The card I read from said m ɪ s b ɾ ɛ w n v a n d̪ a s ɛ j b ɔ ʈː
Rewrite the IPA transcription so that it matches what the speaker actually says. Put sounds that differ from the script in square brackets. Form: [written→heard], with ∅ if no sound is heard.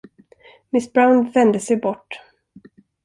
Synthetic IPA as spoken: m ɪ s b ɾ [ɛ→a] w n v [a→ɛ] n d̪ [a→ə] s ɛ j b ɔ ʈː